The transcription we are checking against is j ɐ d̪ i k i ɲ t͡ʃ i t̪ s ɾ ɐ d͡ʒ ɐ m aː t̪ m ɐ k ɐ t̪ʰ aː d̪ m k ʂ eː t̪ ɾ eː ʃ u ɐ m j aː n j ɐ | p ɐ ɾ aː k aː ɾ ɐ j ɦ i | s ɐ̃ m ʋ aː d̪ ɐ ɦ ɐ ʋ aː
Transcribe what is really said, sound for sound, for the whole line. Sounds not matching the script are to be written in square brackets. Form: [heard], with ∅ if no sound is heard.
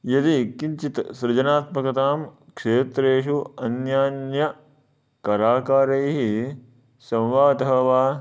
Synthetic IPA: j ɐ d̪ i k i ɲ t͡ʃ i t̪ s ɾ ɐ d͡ʒ ɐ [n] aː t̪ m ɐ k ɐ [t̪] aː [∅] m k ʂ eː t̪ ɾ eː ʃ u ɐ [n] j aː n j ɐ | [k] ɐ ɾ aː k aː ɾ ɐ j ɦ i | s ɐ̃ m ʋ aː d̪ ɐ ɦ ɐ ʋ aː